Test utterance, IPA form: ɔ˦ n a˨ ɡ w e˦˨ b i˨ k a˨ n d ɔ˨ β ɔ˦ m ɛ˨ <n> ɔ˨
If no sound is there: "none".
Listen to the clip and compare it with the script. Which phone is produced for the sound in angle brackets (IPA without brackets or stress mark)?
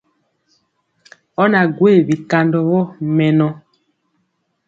n